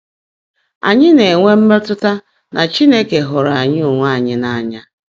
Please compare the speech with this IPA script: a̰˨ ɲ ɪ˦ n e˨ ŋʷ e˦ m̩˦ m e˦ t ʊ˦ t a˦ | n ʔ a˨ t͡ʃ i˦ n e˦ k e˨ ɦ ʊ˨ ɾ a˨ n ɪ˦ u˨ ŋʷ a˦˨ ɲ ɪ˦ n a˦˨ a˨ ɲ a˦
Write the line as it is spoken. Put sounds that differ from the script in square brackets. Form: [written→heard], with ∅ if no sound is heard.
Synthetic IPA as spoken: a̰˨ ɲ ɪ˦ n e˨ ŋʷ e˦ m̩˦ m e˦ t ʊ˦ t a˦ | n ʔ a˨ t͡ʃ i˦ n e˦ k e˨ ɦ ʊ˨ ɾ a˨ [n→ɲ] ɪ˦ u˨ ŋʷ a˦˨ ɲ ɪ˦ n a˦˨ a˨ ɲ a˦